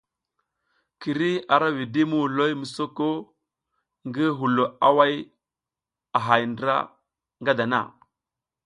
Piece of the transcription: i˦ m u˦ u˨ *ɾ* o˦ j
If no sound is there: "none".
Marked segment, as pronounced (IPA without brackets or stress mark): l